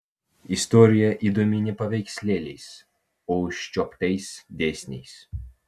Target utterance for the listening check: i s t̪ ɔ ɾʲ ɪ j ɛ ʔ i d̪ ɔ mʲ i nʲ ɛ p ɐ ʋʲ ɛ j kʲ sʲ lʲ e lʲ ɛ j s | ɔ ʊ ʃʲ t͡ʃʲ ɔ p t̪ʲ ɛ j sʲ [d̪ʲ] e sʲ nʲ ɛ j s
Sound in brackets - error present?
no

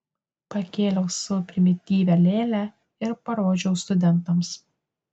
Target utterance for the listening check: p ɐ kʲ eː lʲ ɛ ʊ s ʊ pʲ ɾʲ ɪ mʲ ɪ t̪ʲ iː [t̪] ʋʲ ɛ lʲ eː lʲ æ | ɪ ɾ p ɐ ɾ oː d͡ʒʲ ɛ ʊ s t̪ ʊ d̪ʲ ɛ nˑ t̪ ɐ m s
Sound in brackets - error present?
yes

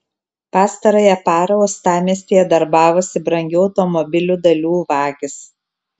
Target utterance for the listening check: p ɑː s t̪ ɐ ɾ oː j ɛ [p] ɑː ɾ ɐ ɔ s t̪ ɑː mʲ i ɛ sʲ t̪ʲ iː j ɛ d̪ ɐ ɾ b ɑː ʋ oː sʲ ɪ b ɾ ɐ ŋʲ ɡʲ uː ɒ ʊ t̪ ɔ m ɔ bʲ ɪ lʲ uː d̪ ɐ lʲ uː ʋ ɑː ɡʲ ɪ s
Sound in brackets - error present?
no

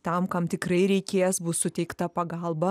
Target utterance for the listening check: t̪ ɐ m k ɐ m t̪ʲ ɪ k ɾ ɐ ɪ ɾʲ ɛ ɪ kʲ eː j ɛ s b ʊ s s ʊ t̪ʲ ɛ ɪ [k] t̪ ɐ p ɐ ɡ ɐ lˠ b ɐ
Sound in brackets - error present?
no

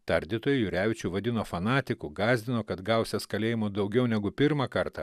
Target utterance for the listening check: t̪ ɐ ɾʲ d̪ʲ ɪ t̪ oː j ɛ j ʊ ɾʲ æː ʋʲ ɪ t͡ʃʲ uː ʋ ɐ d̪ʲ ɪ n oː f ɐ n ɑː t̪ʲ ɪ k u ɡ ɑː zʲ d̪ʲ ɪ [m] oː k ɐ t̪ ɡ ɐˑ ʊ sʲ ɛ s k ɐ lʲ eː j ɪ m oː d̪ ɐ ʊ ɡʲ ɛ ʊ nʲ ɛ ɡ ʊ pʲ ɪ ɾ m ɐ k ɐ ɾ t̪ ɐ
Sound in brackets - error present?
yes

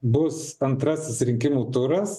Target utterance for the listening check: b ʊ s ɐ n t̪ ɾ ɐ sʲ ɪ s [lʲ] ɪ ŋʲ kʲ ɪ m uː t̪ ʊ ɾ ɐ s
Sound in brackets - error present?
yes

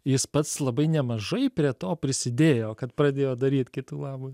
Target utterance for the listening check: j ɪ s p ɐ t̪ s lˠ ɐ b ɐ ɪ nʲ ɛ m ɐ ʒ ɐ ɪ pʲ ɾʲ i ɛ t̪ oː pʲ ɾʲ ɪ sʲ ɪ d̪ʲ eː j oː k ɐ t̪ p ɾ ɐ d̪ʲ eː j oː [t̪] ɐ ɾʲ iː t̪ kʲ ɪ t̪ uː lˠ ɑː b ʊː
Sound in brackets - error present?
yes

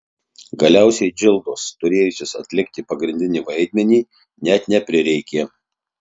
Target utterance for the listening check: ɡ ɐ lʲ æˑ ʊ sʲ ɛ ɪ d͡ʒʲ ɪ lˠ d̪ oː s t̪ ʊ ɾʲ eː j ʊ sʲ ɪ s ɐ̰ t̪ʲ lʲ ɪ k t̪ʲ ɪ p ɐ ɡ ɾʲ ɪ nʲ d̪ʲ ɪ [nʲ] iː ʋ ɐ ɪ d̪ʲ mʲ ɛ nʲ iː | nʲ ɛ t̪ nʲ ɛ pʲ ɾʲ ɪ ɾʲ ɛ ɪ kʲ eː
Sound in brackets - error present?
no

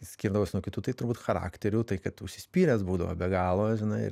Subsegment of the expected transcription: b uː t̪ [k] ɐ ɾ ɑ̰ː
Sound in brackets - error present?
yes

